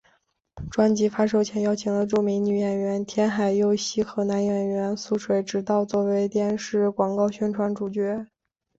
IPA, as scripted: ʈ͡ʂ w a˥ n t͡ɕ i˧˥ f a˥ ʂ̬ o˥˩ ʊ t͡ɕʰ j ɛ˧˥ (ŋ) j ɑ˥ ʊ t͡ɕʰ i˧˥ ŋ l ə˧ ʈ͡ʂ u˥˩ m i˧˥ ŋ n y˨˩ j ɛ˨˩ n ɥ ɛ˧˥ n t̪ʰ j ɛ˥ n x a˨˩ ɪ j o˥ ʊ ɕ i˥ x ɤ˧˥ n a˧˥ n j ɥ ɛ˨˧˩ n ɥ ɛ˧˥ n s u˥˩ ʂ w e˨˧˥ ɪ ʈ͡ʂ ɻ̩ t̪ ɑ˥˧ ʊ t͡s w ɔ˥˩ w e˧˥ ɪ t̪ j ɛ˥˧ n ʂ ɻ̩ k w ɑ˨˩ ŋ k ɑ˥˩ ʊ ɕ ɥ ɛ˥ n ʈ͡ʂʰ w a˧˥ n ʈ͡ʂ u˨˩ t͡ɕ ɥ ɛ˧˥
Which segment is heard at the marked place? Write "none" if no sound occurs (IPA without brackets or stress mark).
ŋ